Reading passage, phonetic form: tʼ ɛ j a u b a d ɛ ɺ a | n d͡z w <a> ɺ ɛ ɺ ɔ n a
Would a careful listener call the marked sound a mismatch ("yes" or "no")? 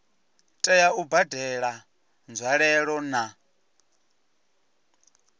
no